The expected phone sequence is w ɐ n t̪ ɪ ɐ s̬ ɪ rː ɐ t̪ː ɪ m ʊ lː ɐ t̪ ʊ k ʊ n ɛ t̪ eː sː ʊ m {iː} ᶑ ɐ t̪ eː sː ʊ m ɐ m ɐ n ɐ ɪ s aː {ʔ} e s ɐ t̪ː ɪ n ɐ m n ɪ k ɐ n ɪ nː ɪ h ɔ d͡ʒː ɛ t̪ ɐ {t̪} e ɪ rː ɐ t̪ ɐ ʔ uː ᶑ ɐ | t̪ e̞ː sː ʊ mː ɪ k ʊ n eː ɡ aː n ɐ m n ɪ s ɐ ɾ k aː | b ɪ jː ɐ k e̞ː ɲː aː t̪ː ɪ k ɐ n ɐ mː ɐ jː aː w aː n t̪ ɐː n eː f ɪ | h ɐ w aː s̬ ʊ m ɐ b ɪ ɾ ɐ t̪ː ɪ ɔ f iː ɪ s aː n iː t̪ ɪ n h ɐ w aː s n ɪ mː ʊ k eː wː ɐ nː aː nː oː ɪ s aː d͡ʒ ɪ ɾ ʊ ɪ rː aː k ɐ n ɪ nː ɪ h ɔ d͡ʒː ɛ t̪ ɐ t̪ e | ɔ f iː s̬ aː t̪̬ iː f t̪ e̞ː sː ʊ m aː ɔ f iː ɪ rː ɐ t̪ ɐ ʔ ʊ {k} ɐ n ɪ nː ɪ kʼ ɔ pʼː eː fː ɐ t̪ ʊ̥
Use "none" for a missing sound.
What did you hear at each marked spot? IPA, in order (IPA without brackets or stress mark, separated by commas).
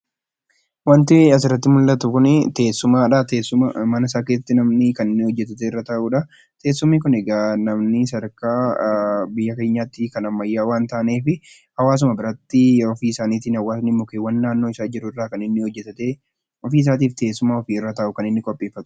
aː, k, t̪, k